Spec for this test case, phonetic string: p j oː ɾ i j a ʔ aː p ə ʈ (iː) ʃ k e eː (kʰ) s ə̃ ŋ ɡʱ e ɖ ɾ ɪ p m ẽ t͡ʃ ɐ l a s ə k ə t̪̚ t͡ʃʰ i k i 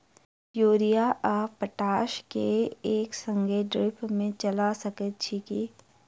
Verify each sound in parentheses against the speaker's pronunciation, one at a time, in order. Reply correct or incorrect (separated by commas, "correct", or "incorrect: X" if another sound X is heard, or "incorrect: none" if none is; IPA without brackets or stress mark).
incorrect: aː, incorrect: k